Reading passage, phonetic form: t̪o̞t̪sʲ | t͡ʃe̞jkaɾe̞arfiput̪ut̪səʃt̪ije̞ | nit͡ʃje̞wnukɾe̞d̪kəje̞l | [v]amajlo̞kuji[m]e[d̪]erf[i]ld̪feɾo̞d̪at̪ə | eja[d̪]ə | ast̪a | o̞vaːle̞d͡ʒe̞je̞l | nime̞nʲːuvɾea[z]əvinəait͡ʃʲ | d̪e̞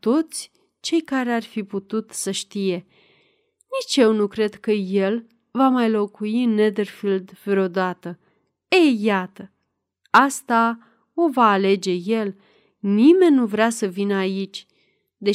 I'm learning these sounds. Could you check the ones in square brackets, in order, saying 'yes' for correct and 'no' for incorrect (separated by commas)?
yes, no, yes, yes, no, no